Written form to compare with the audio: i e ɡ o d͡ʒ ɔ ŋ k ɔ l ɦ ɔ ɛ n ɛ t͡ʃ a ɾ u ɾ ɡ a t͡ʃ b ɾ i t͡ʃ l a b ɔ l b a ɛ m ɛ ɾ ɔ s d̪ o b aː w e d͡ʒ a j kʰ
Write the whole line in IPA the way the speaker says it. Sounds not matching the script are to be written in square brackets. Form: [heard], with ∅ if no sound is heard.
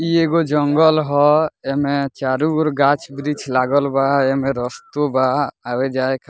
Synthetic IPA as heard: i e ɡ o d͡ʒ ɔ ŋ [ɡ] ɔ l ɦ ɔ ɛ [m] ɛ t͡ʃ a ɾ u ɾ ɡ a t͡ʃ b ɾ i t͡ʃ l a [ɡ] ɔ l b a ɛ m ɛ ɾ ɔ s [t̪] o b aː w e d͡ʒ a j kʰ